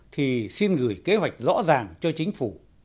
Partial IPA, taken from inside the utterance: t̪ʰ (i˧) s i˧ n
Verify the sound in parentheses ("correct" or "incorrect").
incorrect